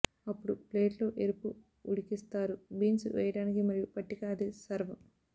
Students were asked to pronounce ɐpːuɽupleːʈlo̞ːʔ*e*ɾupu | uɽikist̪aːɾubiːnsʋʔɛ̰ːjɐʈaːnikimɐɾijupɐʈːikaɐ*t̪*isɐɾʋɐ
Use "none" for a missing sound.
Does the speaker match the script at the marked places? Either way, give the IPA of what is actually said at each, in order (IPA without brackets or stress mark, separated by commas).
e, d̪